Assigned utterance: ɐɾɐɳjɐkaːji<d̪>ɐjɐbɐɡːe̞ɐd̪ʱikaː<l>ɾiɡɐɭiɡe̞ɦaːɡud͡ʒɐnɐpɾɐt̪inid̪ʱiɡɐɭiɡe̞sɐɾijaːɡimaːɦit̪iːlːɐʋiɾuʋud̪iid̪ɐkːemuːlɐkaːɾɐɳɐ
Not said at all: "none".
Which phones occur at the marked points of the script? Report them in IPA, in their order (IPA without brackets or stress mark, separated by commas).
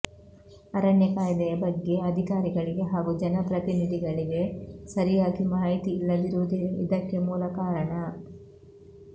d̪, none